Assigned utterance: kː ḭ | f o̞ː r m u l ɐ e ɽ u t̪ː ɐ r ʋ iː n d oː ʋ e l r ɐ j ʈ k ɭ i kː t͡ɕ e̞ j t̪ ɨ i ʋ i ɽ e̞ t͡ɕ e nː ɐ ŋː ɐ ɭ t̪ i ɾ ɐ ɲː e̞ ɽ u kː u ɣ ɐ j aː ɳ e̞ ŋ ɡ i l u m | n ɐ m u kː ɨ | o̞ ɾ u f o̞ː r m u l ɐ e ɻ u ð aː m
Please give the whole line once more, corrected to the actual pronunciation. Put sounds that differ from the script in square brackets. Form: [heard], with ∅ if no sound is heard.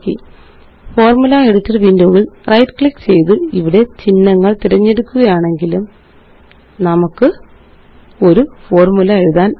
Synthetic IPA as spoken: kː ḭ | f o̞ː r m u l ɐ e ɽ u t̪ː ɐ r ʋ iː n d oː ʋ [i] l r ɐ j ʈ k ɭ i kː t͡ɕ e̞ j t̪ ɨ i ʋ i ɽ e̞ t͡ɕ [i] nː ɐ ŋː ɐ ɭ t̪ i ɾ ɐ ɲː e̞ ɽ u kː u ɣ ɐ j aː ɳ e̞ ŋ ɡ i l u m | n ɐ m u kː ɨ | o̞ ɾ u f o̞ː r m u l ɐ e ɻ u ð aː [n]